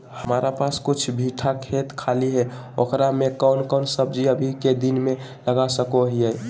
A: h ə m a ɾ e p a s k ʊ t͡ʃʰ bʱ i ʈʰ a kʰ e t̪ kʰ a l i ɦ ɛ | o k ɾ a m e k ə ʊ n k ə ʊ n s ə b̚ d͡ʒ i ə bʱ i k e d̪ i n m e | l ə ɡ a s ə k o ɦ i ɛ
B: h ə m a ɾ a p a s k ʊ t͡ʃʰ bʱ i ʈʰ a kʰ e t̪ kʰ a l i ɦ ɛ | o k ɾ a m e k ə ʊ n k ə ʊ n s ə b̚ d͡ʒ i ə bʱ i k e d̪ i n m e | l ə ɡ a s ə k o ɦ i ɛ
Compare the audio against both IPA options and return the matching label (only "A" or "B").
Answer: B